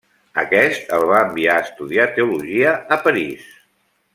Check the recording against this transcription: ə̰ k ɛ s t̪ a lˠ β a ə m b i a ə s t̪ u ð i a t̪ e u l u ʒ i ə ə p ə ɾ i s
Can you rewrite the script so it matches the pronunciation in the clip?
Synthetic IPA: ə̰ k ɛ s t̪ ə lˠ β a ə m b i a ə s t̪ u ð i a t̪ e u l u ʒ i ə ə p ə ɾ i s